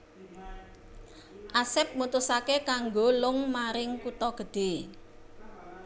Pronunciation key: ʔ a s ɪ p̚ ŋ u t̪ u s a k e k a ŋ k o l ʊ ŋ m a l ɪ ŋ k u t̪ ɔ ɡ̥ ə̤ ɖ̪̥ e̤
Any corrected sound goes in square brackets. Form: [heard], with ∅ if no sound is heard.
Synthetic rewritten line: ʔ a s ɪ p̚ [m] u t̪ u s a k e k a ŋ [ɡ] o l ʊ ŋ m a [ɾ] ɪ ŋ k u t̪ ɔ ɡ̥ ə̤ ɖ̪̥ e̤